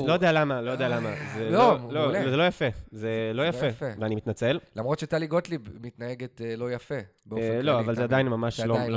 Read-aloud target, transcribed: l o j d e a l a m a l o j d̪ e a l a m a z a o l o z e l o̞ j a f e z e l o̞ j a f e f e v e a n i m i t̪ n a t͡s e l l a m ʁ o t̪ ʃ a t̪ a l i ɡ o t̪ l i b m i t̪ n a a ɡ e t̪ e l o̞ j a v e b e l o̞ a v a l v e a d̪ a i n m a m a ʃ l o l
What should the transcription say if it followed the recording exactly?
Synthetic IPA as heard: l o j d e a l a m a l o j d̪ e a l a m a z e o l o z e l o̞ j a f e z e l o̞ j a f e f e v e a n i m i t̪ n a t͡s e l l a m ʁ o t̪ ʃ e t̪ a l i ɡ o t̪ l i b m i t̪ n a e ɡ e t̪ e l o̞ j a f e b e l o̞ a v a l z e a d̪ a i n m a m a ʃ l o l